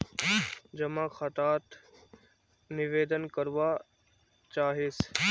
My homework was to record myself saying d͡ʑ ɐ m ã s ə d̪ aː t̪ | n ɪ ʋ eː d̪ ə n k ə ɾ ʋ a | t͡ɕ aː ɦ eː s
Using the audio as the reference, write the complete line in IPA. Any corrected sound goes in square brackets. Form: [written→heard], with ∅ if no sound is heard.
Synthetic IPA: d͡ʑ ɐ m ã [s→x] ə [d̪→t̪] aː t̪ | n ɪ ʋ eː d̪ ə n k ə ɾ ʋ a | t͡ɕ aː ɦ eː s